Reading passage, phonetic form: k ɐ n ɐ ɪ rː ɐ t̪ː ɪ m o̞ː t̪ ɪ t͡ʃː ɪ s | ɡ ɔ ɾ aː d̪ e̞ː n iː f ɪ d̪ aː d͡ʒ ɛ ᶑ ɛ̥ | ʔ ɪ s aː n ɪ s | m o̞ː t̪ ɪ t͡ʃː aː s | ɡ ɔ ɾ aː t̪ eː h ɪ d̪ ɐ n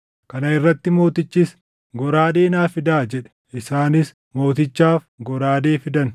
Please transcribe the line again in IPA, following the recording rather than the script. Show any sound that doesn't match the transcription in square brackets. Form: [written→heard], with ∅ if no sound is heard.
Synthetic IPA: k ɐ n ɐ ɪ rː ɐ t̪ː ɪ m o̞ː t̪ ɪ t͡ʃː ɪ s | ɡ ɔ ɾ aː d̪ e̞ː n [iː→aː] f ɪ d̪ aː d͡ʒ ɛ ᶑ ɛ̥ | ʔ ɪ s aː n ɪ s | m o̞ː t̪ ɪ t͡ʃː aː [s→f] | ɡ ɔ ɾ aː [t̪→d̪] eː [h→f] ɪ d̪ ɐ n